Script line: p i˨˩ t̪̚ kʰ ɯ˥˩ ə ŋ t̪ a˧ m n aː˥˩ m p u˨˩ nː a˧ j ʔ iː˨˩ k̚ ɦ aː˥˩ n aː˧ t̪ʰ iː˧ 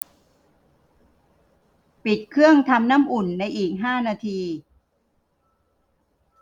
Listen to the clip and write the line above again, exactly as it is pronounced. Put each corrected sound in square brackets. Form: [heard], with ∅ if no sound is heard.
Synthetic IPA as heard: p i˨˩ t̪̚ kʰ ɯ˥˩ ə ŋ [t̪ʰ] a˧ m n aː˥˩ m [ʔ] u˨˩ nː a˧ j ʔ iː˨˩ k̚ ɦ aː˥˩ n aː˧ t̪ʰ iː˧